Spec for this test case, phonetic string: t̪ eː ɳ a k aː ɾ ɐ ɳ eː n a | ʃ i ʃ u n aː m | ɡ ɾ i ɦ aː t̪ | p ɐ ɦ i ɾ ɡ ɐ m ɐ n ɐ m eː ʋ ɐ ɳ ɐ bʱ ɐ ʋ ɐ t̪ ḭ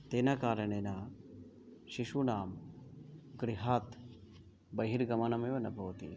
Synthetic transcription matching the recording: t̪ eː n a k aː ɾ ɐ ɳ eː n a | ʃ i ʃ u n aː m | ɡ ɾ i ɦ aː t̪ | b ɐ ɦ i ɾ ɡ ɐ m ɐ n ɐ m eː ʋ ɐ n ɐ bʱ ɐ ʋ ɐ t̪ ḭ